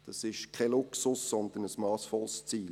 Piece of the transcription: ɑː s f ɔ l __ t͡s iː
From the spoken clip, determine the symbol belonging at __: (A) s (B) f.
A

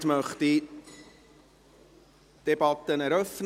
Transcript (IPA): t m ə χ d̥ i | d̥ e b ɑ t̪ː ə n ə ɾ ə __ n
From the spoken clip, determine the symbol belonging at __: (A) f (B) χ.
A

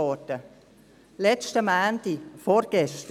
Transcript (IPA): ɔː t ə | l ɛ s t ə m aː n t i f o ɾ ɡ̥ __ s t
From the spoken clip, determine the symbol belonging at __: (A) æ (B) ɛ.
B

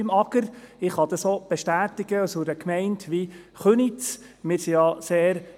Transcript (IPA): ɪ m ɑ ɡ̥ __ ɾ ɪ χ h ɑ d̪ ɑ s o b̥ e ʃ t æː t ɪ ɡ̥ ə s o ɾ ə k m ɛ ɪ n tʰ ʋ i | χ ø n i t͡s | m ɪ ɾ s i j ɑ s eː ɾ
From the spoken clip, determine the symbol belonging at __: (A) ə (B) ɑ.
A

